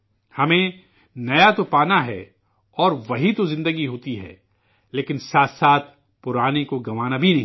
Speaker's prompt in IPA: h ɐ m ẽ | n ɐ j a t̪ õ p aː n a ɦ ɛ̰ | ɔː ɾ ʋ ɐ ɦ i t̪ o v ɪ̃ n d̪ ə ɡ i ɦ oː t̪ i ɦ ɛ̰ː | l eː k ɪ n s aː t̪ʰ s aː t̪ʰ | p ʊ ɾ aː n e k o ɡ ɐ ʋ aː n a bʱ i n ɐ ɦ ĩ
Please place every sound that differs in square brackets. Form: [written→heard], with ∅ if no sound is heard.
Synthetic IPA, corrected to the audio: h ɐ m ẽ | n ɐ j a t̪ [õ→o] p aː n a ɦ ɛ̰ | ɔː ɾ ʋ ɐ ɦ i t̪ o [v→z] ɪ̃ n d̪ ə ɡ i ɦ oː t̪ i ɦ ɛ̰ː | l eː k ɪ n s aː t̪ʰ s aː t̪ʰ | p ʊ ɾ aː n e k o ɡ ɐ ʋ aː n a bʱ i n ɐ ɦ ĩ